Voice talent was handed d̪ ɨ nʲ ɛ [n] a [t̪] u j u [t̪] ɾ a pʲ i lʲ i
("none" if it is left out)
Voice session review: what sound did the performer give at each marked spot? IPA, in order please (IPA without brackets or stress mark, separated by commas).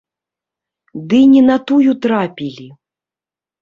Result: n, t̪, t̪